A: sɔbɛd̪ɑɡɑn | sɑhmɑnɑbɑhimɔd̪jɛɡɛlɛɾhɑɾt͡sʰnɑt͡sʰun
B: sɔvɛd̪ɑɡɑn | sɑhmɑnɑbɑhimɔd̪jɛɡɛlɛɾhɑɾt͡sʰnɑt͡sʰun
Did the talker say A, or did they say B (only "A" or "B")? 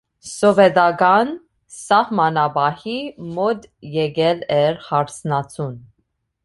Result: B